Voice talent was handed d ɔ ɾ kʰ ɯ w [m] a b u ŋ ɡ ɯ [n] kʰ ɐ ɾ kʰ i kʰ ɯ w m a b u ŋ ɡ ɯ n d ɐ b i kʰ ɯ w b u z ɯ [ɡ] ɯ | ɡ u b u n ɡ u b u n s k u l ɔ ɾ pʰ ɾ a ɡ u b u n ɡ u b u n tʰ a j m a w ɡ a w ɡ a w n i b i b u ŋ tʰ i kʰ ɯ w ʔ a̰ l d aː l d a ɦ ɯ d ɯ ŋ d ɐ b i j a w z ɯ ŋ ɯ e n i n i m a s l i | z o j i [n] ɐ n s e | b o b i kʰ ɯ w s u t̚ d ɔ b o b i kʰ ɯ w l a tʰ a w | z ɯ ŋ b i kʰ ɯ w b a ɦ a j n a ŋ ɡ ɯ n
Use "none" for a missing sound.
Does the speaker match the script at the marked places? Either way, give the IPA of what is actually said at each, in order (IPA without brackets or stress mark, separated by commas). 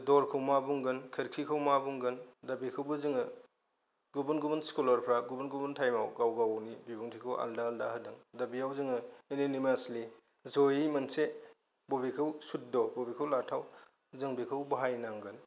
m, n, ŋ, m